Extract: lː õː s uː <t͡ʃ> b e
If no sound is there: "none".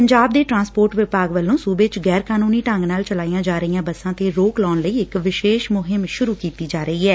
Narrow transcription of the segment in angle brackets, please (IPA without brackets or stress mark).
none